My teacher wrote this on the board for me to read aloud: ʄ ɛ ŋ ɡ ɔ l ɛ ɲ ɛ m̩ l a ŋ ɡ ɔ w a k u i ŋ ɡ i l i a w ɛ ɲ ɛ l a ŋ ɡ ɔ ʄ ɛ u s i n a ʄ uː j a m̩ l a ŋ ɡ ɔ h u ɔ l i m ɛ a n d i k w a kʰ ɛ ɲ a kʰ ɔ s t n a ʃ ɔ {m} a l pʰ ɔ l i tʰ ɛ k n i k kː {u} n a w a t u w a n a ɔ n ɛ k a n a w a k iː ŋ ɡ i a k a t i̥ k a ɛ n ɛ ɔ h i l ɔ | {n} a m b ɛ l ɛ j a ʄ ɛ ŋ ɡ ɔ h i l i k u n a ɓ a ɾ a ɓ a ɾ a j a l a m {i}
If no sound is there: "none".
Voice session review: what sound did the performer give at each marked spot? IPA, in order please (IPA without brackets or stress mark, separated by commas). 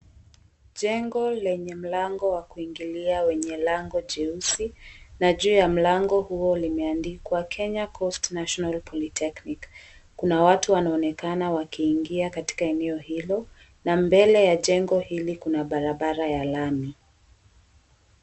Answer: n, u, n, i